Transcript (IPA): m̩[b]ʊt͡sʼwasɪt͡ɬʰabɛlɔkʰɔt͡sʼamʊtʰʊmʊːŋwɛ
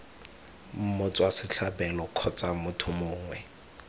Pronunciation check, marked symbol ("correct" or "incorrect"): incorrect